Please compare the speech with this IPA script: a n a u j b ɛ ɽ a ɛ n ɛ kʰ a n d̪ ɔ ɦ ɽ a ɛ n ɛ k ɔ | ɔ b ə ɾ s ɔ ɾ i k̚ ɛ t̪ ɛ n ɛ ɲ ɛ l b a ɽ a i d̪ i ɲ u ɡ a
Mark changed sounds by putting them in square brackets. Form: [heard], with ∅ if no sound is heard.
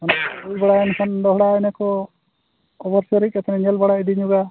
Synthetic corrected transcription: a n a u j b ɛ ɽ a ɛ n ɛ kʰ a n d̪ ɔ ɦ ɽ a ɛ n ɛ k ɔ | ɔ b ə ɾ s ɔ ɾ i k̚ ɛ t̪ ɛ n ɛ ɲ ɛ l b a ɽ a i d̪ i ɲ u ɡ a